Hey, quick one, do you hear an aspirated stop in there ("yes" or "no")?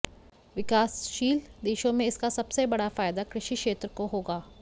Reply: no